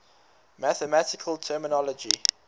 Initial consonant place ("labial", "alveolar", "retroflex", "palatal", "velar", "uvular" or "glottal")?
labial